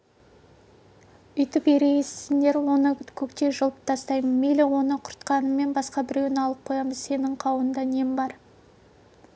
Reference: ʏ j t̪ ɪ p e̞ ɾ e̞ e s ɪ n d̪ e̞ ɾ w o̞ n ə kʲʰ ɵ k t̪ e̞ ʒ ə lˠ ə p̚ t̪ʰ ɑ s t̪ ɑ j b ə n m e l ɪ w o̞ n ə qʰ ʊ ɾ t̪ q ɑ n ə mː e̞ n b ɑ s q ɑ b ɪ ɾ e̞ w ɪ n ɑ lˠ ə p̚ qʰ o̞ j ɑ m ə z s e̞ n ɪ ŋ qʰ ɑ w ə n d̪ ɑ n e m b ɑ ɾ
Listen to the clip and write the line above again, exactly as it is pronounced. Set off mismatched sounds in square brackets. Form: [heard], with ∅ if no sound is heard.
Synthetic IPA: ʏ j t̪ ɪ p e̞ ɾ e̞ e s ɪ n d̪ e̞ ɾ w o̞ n ə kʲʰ ɵ k t̪ e̞ ʒ ə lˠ ə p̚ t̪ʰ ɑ s t̪ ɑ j [m] ə n m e l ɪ w o̞ n ə qʰ ʊ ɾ t̪ q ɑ n ə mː e̞ n b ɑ s q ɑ b ɪ ɾ e̞ w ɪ n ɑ lˠ ə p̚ qʰ o̞ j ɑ m ə z s e̞ n ɪ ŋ qʰ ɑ w ə n d̪ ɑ n e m b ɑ ɾ